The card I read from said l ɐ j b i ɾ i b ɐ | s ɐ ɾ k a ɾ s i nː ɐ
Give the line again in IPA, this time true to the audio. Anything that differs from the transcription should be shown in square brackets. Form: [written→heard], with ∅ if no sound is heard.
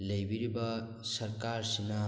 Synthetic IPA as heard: l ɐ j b i ɾ i b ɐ | s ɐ ɾ k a ɾ s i [nː→n] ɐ